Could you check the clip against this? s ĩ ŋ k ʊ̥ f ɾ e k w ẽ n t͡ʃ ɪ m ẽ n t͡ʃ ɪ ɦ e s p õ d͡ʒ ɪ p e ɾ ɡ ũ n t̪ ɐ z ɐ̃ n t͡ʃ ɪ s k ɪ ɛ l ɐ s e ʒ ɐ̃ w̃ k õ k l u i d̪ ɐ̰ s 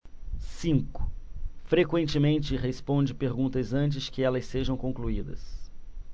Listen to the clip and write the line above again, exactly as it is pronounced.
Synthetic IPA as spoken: s ĩ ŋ k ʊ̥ f ɾ e k w ẽ n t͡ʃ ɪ m ẽ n t͡ʃ ɪ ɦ e s p õ d͡ʒ ɪ p e ɾ ɡ ũ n t̪ ɐ z ɐ̃ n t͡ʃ ɪ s k ɪ ɛ l ɐ s e ʒ ɐ̃ w̃ k õ k l u i d̪ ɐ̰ s